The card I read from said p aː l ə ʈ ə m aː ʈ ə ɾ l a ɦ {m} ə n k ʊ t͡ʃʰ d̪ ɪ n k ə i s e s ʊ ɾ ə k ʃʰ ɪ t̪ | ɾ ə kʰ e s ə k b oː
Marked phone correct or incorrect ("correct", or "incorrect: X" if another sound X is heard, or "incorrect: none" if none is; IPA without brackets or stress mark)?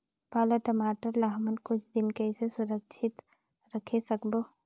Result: correct